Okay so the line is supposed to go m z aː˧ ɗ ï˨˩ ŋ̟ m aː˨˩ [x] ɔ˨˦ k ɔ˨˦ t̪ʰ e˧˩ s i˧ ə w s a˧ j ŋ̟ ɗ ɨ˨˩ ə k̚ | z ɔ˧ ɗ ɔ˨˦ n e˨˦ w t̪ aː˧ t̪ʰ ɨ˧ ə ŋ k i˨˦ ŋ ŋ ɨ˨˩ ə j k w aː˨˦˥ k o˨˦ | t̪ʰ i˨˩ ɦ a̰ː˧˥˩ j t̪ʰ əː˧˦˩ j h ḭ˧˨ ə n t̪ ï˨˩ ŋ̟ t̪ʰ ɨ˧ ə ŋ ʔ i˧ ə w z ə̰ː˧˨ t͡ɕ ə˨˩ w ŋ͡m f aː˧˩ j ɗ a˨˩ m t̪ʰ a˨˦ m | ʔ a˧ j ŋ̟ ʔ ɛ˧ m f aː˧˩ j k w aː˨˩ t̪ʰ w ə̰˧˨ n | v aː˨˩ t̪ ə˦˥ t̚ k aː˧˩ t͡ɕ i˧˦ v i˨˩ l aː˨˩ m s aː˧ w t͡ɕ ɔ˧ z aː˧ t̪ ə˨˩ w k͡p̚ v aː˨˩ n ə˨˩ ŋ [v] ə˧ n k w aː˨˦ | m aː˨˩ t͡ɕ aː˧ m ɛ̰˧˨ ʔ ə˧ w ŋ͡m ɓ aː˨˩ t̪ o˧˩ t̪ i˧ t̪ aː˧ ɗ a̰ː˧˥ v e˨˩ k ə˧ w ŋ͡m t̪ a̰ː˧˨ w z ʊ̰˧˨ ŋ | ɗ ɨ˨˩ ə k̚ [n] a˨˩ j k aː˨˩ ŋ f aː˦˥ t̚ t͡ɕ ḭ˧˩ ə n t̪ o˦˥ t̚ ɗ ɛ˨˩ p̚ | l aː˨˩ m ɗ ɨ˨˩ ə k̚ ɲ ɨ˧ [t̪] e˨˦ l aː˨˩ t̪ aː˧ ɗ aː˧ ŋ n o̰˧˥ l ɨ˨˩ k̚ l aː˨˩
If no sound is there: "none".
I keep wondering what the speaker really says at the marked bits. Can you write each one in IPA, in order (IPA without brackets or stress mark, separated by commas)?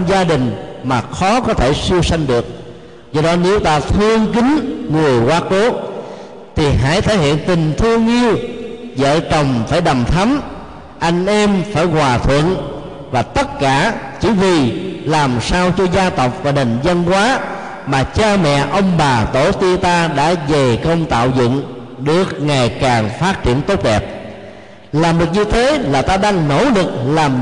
x, z, ŋ, t̪ʰ